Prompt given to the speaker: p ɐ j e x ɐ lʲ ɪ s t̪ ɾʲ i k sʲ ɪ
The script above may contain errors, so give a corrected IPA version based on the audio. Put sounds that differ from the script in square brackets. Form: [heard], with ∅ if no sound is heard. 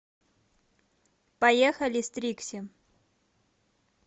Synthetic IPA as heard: p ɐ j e x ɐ lʲ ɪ s t̪ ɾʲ i k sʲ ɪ

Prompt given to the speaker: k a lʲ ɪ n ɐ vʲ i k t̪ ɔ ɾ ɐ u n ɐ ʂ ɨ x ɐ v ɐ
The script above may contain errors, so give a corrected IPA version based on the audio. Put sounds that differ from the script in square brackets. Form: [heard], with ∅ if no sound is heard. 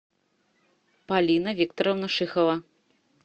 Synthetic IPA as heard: [p] a lʲ [i] n ɐ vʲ i k t̪ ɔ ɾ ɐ [w] n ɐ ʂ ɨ x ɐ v ɐ

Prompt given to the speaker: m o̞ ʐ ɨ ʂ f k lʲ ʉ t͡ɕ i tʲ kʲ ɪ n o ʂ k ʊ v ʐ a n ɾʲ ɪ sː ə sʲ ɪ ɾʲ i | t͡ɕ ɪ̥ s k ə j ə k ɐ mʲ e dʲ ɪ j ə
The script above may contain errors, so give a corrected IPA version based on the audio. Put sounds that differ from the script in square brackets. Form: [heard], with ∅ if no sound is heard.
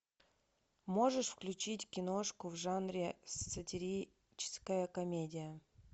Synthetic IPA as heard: m o̞ ʐ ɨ ʂ f k lʲ ʉ t͡ɕ i tʲ kʲ ɪ n o ʂ k ʊ v ʐ a n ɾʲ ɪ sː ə [tʲ] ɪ ɾʲ i | t͡ɕ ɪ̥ s k ə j ə k ɐ mʲ e dʲ ɪ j ə

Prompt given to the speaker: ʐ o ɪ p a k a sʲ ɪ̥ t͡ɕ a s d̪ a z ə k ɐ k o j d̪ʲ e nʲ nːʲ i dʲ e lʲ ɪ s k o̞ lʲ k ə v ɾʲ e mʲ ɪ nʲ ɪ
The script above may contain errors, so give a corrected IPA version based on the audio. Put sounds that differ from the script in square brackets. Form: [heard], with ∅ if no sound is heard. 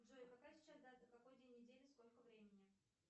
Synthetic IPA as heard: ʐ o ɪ p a k a sʲ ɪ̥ t͡ɕ a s d̪ a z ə k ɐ k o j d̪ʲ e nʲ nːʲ [ɪ] dʲ e lʲ ɪ s k o̞ lʲ k ə v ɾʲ e mʲ ɪ nʲ ɪ

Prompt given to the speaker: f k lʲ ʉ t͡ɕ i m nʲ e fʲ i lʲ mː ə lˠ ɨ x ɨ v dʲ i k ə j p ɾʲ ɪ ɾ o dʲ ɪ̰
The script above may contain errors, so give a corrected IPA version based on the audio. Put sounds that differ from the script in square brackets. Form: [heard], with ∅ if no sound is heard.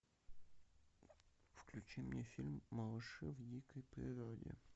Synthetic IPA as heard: f k lʲ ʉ t͡ɕ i m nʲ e fʲ i lʲ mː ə lˠ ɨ [ʂ] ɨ v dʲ i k ə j p ɾʲ ɪ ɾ o dʲ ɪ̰

